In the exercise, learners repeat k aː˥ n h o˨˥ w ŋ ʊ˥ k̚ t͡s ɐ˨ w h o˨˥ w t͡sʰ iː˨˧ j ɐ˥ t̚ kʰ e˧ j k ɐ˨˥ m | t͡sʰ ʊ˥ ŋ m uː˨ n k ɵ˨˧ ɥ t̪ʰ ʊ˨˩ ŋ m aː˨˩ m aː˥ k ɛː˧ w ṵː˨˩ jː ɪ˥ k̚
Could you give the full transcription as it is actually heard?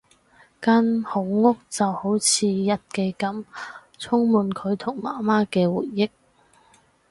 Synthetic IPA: k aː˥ n h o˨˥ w ŋ ʊ˥ k̚ t͡s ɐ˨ w h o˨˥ w t͡sʰ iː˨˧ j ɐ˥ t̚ k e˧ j k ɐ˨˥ m | t͡sʰ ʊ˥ ŋ m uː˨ n kʰ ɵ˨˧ ɥ t̪ʰ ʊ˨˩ ŋ m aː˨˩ m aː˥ k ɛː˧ w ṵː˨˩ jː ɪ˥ k̚